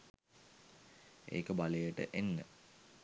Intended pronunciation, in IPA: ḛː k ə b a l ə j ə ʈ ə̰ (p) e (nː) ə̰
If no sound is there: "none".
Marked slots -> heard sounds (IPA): ʔ, nː

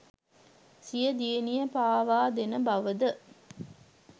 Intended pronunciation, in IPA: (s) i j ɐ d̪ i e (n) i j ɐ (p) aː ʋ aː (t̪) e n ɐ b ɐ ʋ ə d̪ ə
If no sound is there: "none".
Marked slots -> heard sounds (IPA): s, n, p, d̪

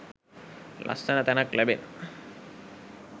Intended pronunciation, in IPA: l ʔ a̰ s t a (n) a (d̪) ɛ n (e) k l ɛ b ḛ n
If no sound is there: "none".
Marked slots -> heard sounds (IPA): n, t̪, a

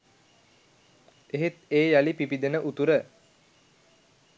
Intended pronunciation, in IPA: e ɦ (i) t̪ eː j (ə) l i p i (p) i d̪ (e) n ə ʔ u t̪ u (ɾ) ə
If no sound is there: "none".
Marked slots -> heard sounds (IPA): e, a, p, e, ɾ

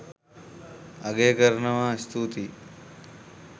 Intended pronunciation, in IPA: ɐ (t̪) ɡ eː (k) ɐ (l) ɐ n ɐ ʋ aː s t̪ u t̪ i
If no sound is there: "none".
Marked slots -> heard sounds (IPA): none, k, ɾ

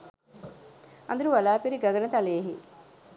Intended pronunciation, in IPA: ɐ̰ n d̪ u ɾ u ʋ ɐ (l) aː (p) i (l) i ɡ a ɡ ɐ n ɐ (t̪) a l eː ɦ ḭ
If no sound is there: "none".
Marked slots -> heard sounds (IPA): l, p, ɾ, t̪

